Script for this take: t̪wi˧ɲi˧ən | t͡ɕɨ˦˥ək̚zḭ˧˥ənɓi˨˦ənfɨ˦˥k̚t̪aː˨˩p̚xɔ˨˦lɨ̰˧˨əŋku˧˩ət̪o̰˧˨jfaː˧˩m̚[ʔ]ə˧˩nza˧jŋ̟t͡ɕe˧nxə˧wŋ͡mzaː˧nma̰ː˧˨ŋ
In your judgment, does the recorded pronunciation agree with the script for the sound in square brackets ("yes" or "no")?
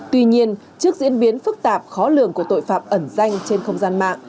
yes